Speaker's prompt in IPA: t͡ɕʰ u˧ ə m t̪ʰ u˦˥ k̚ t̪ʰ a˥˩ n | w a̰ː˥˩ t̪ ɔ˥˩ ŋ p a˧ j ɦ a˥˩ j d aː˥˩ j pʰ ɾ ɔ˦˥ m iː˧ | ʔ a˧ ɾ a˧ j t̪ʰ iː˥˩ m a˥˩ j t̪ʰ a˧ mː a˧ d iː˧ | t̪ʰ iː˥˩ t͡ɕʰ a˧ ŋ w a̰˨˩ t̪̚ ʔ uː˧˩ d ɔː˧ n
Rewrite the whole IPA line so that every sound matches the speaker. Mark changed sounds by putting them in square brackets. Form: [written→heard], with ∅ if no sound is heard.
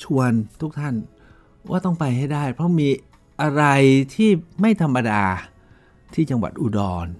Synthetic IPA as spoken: t͡ɕʰ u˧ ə [m→n] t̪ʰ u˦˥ k̚ t̪ʰ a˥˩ n | w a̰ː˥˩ t̪ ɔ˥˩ ŋ p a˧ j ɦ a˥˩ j d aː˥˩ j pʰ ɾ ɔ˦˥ m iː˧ | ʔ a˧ ɾ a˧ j t̪ʰ iː˥˩ m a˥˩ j t̪ʰ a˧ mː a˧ d [iː˧→aː˧] | t̪ʰ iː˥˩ [t͡ɕʰ→t͡ɕ] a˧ ŋ w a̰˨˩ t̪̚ ʔ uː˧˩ d ɔː˧ n